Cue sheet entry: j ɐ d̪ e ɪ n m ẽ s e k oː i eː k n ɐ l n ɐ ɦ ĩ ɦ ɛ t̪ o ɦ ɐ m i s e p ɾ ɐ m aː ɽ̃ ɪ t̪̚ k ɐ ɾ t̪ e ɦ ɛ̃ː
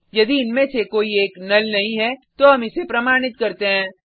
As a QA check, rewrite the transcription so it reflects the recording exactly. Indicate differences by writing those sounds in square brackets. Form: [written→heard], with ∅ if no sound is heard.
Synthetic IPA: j ɐ d̪ [e→i] ɪ n m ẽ s e k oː i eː k n ɐ l n ɐ ɦ ĩ ɦ ɛ t̪ o ɦ ɐ m [i→ɪ] s e p ɾ ɐ m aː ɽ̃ ɪ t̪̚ k ɐ ɾ t̪ e ɦ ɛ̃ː